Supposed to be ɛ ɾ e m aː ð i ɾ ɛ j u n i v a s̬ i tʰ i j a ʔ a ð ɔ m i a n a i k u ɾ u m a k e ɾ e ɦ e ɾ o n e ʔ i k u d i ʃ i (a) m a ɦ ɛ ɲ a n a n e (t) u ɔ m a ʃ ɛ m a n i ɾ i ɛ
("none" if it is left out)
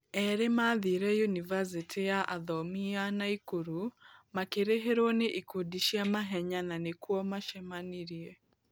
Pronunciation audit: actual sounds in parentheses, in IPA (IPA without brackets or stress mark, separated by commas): a, k